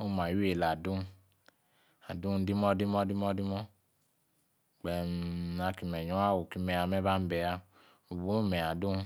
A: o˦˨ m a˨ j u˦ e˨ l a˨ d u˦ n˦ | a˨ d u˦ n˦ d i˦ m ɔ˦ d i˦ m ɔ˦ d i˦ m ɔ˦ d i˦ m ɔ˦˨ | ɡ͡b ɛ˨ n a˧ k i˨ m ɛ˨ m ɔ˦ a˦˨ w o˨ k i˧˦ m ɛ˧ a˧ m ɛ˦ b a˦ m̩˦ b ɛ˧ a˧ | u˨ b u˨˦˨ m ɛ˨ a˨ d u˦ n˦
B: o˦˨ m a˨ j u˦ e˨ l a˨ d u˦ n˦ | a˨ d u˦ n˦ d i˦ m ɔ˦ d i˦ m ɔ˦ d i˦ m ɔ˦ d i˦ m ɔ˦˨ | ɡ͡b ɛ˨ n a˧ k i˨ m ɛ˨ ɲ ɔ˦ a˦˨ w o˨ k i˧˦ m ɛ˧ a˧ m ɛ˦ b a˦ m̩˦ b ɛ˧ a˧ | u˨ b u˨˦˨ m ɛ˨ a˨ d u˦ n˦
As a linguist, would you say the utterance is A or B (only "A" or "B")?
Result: B